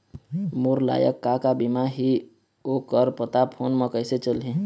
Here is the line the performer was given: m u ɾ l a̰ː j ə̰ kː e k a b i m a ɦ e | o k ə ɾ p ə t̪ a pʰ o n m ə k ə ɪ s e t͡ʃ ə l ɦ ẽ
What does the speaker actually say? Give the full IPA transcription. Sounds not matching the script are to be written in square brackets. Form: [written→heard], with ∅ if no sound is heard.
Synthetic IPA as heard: m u ɾ l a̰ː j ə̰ kː [e→a] k a b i m a ɦ [e→i] | o k ə ɾ p ə t̪ a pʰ o n m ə k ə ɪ s e t͡ʃ ə l ɦ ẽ